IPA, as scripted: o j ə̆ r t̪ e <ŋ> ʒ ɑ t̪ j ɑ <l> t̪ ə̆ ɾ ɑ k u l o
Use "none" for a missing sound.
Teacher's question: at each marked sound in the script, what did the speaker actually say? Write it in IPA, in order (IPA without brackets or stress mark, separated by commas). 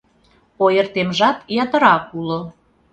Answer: m, none